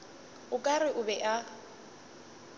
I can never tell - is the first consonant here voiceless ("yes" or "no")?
yes